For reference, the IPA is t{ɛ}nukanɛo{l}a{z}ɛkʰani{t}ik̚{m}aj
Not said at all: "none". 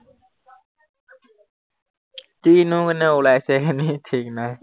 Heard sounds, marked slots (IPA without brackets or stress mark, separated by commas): i, l, s, tʰ, n